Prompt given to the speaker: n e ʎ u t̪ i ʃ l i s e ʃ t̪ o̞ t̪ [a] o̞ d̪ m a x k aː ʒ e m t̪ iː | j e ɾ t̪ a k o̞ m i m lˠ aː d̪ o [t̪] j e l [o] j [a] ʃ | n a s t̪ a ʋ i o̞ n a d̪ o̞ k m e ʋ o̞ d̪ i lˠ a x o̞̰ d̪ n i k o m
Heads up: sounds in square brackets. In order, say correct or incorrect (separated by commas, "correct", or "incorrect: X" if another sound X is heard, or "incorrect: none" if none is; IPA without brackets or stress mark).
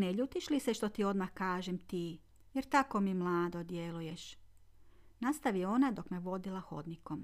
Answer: incorrect: i, incorrect: d̪, incorrect: u, incorrect: e